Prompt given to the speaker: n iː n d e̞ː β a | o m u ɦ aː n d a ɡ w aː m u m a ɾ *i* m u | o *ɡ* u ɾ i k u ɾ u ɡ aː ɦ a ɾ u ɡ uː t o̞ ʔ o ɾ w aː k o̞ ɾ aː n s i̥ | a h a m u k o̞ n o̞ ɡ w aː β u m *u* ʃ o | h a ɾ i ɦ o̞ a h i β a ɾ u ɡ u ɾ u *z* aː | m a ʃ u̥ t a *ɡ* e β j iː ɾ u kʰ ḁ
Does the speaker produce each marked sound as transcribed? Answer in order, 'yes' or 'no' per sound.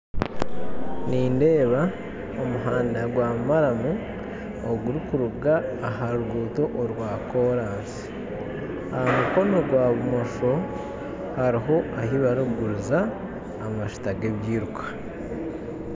no, yes, no, yes, yes

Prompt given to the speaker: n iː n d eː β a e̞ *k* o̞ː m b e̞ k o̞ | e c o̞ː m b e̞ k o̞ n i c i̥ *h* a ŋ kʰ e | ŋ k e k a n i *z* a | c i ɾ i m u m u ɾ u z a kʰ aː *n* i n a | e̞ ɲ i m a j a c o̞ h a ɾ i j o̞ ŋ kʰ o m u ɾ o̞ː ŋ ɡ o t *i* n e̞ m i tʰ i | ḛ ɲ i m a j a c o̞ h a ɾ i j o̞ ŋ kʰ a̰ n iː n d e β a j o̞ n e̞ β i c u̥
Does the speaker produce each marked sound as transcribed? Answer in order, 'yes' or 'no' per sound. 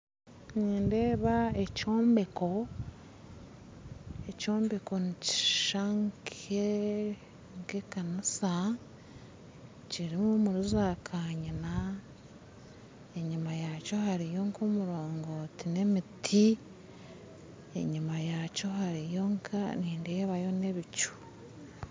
no, no, no, no, yes

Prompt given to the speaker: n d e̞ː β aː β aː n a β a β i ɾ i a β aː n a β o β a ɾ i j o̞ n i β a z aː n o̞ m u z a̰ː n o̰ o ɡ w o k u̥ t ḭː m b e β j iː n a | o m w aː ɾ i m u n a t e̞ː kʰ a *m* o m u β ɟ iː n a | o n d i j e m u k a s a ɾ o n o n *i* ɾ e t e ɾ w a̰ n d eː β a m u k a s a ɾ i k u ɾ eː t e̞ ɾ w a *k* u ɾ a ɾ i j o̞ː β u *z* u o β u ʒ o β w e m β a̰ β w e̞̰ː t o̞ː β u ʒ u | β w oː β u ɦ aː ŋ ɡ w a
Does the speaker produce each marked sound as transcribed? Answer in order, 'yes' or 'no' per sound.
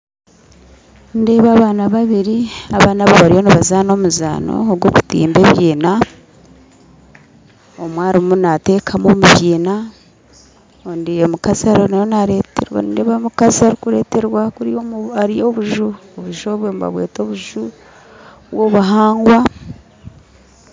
yes, no, yes, no

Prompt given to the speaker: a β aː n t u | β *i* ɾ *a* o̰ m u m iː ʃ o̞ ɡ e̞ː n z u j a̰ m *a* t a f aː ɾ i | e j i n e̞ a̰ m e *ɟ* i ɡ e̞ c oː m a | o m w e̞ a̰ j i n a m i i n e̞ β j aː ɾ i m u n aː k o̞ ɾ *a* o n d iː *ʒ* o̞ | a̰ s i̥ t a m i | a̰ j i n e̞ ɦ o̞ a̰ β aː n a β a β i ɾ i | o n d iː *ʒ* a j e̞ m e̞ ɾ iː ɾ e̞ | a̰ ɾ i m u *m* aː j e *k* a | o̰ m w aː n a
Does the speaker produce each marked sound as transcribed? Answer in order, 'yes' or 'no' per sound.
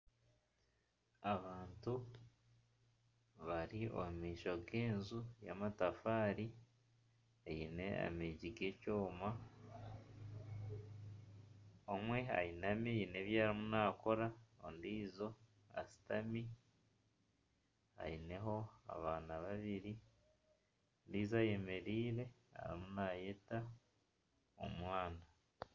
no, no, yes, yes, yes, no, no, no, no

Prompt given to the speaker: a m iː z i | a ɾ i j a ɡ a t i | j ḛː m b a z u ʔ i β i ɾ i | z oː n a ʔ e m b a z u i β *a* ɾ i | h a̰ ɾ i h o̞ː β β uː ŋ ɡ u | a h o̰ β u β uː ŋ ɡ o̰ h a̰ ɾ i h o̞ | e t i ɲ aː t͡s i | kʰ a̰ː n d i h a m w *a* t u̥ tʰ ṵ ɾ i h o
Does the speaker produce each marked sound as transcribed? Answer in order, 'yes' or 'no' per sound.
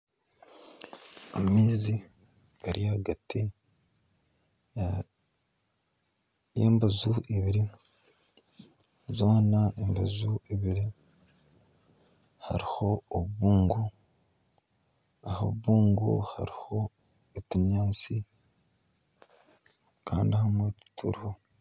no, no

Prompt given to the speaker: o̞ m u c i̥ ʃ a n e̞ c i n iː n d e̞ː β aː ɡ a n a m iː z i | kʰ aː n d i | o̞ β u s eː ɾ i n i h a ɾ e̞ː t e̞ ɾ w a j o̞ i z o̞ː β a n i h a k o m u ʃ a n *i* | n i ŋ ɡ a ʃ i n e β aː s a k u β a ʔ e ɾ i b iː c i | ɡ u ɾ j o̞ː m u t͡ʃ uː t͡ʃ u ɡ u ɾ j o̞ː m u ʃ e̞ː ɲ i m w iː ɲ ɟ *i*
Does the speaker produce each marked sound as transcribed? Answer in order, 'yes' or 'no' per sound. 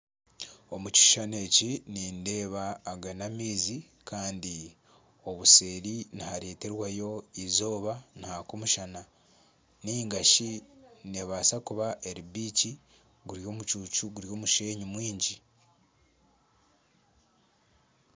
no, yes

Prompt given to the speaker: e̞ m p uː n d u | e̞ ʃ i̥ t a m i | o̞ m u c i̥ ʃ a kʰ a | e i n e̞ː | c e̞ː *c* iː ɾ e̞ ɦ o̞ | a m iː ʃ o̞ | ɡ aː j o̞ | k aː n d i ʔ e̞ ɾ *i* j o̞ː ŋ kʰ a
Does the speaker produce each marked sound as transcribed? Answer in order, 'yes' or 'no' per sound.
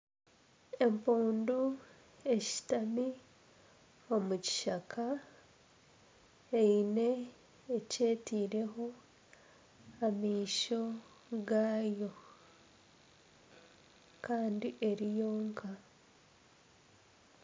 no, yes

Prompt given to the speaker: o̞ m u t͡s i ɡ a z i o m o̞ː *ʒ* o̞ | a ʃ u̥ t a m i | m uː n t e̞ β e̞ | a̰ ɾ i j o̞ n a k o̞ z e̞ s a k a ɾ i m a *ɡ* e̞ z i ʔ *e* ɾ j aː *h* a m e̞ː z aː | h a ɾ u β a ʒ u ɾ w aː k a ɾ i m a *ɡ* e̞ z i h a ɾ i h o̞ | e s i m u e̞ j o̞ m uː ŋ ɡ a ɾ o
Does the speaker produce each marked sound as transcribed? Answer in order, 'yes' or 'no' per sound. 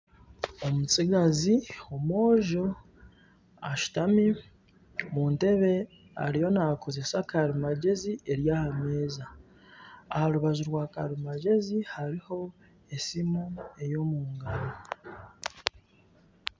yes, no, yes, yes, no

